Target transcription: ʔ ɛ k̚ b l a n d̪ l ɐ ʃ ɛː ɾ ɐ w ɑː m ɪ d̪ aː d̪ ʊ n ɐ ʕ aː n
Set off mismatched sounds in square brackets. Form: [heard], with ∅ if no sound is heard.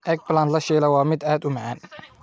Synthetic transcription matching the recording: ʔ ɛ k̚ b l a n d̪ l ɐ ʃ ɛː [l] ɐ w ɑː m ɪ d̪ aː d̪ ʊ [m] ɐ ʕ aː n

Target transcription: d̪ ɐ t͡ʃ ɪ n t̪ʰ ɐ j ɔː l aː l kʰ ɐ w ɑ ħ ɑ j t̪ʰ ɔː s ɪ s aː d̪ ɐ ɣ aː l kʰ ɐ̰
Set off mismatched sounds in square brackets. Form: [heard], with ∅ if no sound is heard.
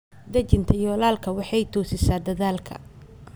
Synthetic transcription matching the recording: d̪ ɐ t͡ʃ ɪ n t̪ʰ ɐ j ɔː l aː l kʰ ɐ w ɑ ħ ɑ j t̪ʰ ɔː s ɪ s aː d̪ ɐ [ð] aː l kʰ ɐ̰

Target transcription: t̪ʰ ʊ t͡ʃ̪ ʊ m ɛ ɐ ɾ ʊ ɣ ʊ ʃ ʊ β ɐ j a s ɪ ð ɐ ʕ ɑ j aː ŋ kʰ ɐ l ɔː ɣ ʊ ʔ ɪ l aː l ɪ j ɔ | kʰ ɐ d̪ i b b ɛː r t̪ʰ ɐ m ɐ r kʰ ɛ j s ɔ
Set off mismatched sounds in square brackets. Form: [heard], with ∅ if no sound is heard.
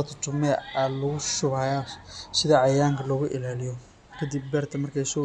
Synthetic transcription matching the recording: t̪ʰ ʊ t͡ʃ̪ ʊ m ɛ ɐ [l] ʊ ɣ ʊ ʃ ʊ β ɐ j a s ɪ ð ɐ ʕ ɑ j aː ŋ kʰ ɐ l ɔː ɣ ʊ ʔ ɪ l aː l ɪ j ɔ | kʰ ɐ d̪ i b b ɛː r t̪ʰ ɐ m ɐ r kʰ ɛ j s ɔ

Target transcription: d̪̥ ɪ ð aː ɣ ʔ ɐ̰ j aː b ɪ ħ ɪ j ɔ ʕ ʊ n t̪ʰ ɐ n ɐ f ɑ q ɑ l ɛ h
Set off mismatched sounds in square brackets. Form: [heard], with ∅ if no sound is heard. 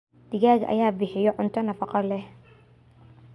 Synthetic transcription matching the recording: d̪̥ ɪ [ɣ] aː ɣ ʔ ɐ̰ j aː b ɪ ħ ɪ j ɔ ʕ ʊ n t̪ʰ ɐ n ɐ f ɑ q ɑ l ɛ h

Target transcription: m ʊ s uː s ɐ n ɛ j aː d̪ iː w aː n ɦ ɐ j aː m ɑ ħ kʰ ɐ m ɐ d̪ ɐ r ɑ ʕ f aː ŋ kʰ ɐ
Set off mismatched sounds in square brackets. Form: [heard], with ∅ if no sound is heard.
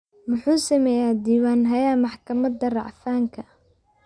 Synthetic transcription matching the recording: m ʊ [ħ] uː s ɐ [m] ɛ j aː d̪ iː w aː n ɦ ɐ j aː m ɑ ħ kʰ ɐ m ɐ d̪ ɐ r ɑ ʕ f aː ŋ kʰ ɐ

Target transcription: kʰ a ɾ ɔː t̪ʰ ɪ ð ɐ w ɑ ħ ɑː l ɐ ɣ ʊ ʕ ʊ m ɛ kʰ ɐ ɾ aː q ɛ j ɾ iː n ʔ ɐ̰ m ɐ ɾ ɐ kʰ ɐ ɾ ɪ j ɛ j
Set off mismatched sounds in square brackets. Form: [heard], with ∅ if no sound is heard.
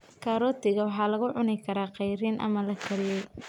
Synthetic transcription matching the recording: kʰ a ɾ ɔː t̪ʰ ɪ [ɣ] ɐ w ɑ ħ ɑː l ɐ ɣ ʊ ʕ ʊ [n] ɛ kʰ ɐ ɾ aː q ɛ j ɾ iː n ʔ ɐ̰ m ɐ [l] ɐ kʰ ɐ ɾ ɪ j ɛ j

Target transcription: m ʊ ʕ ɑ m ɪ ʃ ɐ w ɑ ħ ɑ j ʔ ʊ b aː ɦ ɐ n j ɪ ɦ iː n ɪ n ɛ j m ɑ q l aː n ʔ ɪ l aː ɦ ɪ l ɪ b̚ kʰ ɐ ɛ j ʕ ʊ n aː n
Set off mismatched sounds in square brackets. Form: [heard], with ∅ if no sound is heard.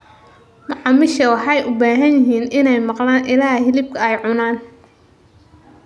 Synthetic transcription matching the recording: m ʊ ʕ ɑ m ɪ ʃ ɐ w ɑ ħ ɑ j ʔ ʊ b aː ɦ ɐ n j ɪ ɦ iː n ɪ n ɛ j m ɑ q l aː n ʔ ɪ l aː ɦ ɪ l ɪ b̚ kʰ ɐ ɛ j ʕ ʊ n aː n

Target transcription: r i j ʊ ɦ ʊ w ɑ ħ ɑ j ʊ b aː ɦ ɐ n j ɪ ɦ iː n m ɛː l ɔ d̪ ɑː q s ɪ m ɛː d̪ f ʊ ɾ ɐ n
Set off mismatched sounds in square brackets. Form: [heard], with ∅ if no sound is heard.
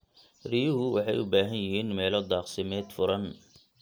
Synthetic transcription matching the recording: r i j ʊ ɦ ʊ w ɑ ħ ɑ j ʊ b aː ɦ ɐ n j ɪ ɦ iː n m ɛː l ɔ d̪ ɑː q s ɪ m ɛː d̪ f ʊ ɾ ɐ n

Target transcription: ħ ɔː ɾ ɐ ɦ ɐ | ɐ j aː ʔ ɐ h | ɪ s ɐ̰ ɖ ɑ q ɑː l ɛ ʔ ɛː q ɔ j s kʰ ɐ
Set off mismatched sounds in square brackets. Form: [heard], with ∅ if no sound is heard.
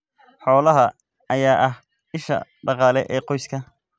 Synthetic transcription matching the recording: ħ ɔː [l] ɐ ɦ ɐ | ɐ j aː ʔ ɐ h | ɪ [ʃ] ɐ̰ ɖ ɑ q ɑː l ɛ ʔ ɛː q ɔ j s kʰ ɐ

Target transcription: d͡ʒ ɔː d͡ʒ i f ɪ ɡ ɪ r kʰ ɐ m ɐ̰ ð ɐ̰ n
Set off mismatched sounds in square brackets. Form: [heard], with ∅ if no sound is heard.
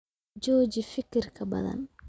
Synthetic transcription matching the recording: d͡ʒ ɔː d͡ʒ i f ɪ [k] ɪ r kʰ ɐ [b] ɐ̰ ð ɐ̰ n

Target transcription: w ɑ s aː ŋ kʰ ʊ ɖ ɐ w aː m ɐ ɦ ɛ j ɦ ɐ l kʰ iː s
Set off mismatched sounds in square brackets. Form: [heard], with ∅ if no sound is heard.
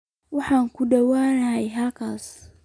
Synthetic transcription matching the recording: w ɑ [ħ] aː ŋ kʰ ʊ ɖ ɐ w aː [n] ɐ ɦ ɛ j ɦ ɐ l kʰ [aː] s

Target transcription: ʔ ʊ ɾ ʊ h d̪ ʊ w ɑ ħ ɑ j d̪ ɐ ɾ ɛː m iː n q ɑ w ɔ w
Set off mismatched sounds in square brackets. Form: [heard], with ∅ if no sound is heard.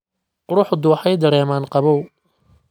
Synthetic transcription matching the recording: [q] ʊ ɾ ʊ [ħ] d̪ ʊ w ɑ ħ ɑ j d̪ ɐ ɾ ɛː m [aː] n q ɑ [β] ɔ w

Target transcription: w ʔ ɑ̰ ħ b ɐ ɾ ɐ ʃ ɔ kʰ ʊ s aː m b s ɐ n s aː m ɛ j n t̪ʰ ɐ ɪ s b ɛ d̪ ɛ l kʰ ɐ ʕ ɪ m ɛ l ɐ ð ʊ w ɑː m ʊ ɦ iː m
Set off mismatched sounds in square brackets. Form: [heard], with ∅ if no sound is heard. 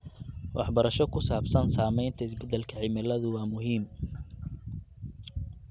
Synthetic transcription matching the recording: w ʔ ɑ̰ ħ b ɐ ɾ ɐ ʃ ɔ kʰ ʊ s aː [∅] b s ɐ n s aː m ɛ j n t̪ʰ ɐ ɪ s b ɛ d̪ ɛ l kʰ ɐ ʕ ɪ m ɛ l ɐ ð ʊ w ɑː m ʊ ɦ iː m

